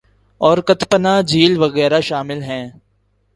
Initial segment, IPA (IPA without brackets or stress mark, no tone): ɔː